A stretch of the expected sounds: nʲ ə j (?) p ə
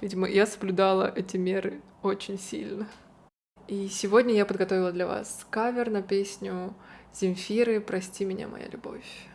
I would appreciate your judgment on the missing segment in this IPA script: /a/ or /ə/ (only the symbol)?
a